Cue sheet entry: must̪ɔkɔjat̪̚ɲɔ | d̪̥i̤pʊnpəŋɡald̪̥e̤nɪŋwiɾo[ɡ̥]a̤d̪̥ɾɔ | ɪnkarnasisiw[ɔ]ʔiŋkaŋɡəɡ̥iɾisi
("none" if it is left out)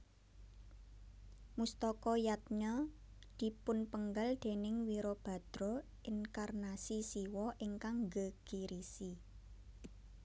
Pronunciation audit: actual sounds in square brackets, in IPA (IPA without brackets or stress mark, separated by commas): b̥, ɔ